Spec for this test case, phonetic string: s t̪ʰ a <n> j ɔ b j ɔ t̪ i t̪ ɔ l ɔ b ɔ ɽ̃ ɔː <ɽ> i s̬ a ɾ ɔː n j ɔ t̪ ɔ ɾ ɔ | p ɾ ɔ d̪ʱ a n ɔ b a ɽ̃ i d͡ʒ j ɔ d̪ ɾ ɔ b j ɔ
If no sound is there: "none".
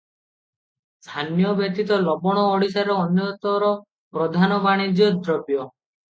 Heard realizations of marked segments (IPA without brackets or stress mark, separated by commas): n, ɽ